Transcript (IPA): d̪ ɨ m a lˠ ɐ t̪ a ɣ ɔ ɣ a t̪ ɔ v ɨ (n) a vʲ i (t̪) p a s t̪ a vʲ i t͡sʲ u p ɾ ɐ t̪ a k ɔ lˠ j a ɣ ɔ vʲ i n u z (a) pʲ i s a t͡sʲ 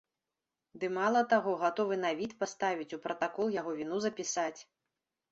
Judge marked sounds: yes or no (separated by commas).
yes, yes, no